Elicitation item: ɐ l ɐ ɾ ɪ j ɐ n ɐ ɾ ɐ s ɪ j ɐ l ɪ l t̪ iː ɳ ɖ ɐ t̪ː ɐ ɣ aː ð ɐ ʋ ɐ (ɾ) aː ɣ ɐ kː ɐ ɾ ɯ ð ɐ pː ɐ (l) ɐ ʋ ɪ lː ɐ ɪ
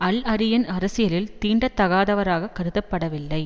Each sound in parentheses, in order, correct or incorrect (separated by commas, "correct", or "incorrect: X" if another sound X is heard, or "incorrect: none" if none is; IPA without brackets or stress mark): correct, incorrect: ɽ